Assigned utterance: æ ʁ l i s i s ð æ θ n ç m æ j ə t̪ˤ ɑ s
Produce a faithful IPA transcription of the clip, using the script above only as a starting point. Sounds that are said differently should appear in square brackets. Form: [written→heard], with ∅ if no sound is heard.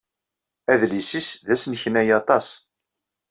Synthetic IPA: æ [ʁ→ð] l i s i s ð æ [θ→s] n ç [m→n] æ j [ə→ɑ] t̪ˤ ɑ s